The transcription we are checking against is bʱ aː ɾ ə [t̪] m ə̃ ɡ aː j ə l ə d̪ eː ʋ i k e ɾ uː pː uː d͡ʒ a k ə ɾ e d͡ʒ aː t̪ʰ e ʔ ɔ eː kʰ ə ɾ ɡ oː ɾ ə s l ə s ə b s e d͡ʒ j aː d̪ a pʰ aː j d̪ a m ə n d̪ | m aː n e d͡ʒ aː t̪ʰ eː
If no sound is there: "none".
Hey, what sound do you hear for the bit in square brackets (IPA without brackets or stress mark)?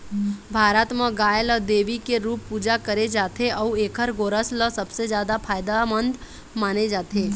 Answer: t̪